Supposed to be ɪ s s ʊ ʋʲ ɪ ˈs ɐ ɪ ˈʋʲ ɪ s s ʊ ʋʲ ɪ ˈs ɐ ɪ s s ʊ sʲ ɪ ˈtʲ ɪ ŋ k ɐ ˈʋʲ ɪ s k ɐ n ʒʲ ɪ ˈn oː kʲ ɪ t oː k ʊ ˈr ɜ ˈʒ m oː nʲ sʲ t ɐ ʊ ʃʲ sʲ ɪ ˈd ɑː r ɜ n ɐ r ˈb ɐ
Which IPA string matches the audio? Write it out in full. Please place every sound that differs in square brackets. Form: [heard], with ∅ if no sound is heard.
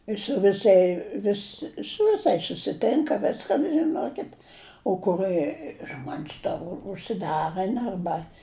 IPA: ɪ s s ʊ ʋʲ ɪ ˈs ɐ ɪ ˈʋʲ ɪ s s ʊ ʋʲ ɪ ˈs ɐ ɪ s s ʊ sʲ ɪ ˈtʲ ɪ ŋ k ɐ ˈʋʲ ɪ s k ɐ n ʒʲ ɪ ˈn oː kʲ ɪ t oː k ʊ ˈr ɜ ˈʒ m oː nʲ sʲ t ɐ ʊ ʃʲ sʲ ɪ ˈd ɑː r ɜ n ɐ r ˈb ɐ